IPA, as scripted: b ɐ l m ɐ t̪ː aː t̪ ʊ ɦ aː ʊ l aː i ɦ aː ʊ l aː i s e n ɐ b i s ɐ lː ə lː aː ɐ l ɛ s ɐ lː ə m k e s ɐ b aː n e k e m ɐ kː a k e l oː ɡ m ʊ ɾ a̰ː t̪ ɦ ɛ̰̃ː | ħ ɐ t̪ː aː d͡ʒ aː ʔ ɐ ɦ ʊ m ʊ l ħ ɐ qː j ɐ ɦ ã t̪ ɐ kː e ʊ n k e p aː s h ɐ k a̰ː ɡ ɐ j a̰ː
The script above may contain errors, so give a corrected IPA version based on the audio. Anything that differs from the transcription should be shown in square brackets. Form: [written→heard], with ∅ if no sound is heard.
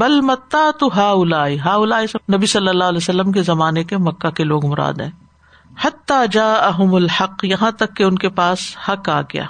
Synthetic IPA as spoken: b ɐ l m ɐ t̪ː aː t̪ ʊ ɦ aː ʊ l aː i ɦ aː ʊ l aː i s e n ɐ b i s ɐ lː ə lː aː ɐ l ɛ s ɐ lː ə m k e [s→z] ɐ [b→m] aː n e k e m ɐ kː a k e l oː ɡ m ʊ ɾ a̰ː [t̪→d̪] ɦ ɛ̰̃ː | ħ ɐ t̪ː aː d͡ʒ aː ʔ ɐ ɦ ʊ m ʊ l ħ ɐ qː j ɐ ɦ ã t̪ ɐ kː e ʊ n k e p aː s h ɐ k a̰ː ɡ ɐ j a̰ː